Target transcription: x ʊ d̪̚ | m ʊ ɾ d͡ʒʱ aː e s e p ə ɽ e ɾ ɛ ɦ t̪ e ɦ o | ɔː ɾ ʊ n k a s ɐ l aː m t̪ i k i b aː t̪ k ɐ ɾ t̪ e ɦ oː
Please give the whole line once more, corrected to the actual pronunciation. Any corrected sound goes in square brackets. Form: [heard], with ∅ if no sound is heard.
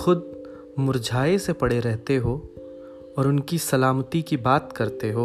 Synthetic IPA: x ʊ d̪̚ | m ʊ ɾ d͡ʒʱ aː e s e p [ɐ] ɽ e ɾ ɛ ɦ t̪ e ɦ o | ɔː ɾ ʊ n k [i] s ɐ l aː m t̪ i k i b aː t̪ k ɐ ɾ t̪ e ɦ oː